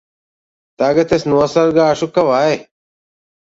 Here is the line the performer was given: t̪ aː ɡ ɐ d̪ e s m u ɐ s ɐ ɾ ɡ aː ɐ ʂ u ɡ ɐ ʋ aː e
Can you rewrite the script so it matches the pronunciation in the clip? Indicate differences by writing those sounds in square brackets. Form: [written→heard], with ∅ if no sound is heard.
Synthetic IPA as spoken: t̪ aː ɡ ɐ [d̪→t̪] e s [m→n] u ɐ s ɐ ɾ ɡ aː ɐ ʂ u [ɡ→k] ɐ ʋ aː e